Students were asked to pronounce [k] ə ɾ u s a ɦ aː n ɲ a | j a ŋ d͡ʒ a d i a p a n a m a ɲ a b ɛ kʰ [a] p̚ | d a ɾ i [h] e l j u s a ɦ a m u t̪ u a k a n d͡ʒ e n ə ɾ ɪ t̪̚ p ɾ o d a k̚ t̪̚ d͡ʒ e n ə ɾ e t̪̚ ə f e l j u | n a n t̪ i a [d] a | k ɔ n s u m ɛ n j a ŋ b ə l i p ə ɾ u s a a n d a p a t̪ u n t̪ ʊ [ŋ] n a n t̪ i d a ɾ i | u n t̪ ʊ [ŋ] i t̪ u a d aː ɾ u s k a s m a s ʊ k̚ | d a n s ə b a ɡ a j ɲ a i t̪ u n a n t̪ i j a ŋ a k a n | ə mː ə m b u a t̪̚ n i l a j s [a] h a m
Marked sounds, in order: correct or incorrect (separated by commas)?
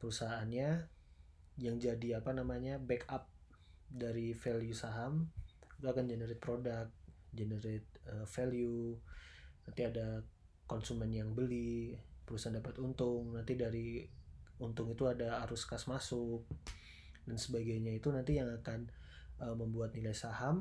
incorrect, correct, incorrect, correct, correct, correct, correct